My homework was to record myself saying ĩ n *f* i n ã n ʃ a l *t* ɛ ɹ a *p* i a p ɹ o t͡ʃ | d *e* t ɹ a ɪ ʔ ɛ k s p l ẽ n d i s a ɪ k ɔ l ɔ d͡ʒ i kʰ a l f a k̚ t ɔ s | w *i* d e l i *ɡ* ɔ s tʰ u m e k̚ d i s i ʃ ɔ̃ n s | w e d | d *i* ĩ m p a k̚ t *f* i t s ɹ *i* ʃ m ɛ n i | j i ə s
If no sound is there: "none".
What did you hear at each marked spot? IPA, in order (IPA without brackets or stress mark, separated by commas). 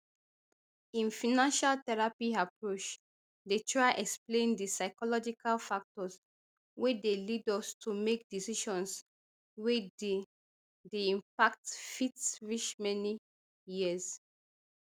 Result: f, t, p, e, e, d, e, f, i